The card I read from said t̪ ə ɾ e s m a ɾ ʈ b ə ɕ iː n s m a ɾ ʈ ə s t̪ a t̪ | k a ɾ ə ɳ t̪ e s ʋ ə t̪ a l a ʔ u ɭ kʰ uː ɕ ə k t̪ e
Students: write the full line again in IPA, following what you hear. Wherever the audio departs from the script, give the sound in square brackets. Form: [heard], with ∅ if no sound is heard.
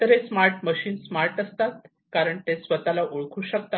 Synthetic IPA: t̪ ə ɾ e s m a ɾ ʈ [m] ə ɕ iː n s m a ɾ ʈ ə s t̪ a t̪ | k a ɾ ə ɳ t̪ e s ʋ ə t̪ a l a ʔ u ɭ kʰ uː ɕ ə k t̪ [a]